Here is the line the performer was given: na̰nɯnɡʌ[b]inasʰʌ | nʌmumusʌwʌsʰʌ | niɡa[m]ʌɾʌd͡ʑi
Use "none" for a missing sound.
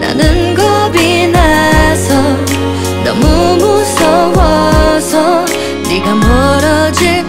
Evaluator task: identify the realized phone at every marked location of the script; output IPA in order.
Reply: b, m

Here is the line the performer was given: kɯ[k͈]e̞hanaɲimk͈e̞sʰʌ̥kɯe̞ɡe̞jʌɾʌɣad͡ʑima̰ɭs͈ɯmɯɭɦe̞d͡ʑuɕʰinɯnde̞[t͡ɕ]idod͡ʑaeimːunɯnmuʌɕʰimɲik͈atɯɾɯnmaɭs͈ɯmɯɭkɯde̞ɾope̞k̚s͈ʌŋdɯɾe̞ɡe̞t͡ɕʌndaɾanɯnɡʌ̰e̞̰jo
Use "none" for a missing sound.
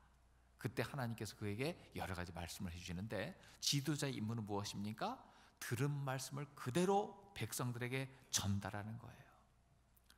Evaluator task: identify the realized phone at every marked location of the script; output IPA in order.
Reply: t͈, t͡ɕ

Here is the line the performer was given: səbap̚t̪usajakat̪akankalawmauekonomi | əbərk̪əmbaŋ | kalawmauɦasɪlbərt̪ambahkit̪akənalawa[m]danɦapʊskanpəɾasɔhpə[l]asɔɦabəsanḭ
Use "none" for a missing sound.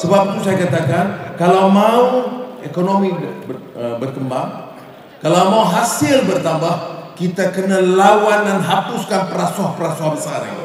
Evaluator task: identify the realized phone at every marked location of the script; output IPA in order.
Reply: n, ɾ

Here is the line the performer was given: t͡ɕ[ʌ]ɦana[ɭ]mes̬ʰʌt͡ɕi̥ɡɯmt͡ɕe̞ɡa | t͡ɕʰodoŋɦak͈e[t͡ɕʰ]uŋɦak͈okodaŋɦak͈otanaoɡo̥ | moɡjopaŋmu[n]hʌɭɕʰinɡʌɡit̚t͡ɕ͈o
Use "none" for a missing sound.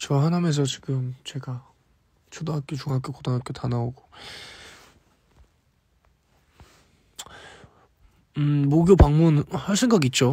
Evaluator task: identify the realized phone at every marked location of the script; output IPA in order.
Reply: ʌ, none, t͡ɕ, n

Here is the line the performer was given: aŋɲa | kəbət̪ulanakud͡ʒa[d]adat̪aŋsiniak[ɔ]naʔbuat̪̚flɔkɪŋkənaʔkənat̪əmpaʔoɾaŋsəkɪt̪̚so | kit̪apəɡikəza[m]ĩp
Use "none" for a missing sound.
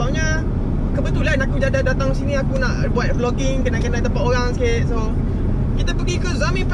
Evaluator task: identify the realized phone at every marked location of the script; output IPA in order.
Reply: d, u, m

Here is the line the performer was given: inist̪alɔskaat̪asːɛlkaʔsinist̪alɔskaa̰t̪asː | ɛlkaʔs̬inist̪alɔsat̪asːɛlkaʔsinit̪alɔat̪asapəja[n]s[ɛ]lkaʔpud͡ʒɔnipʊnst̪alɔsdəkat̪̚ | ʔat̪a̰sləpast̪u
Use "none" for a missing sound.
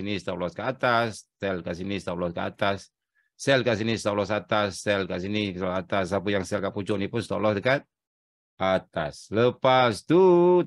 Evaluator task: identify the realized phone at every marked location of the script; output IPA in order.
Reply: ŋ, ɛ

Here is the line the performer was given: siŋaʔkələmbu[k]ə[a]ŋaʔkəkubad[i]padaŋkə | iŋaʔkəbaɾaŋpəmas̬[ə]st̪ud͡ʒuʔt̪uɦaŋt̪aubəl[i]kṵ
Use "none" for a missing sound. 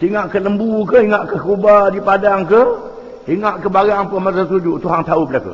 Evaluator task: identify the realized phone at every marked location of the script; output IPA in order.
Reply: k, i, i, a, a

